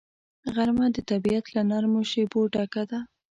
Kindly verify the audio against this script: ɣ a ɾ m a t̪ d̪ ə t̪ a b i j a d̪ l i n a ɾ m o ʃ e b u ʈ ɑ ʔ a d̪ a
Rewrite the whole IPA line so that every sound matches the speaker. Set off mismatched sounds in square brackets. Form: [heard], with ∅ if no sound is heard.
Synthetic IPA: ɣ a ɾ m a [∅] d̪ ə t̪ a b i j a [t̪] l [a] n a ɾ m o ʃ e b [o] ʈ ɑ [k] a d̪ a